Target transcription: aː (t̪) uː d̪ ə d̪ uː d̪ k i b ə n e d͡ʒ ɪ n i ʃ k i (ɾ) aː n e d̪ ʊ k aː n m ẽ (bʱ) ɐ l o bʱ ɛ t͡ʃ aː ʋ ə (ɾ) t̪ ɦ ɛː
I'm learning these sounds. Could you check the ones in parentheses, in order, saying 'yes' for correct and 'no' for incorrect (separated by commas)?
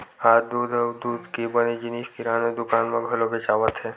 no, yes, no, no